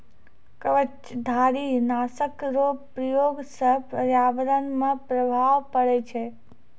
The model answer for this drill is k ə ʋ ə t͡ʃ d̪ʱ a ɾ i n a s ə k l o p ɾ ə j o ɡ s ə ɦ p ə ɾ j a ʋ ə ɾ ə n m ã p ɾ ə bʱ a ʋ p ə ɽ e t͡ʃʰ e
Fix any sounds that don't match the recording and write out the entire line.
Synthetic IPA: k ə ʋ ə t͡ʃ d̪ʱ a ɾ i n a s ə k ɾ o p ɾ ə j o ɡ s ə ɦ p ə ɾ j a ʋ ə ɾ ə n m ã p ɾ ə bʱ a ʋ p ə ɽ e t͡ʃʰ e